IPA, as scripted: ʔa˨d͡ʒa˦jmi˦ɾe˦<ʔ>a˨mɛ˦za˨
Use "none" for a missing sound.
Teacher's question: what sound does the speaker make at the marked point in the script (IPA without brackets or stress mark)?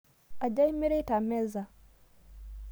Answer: t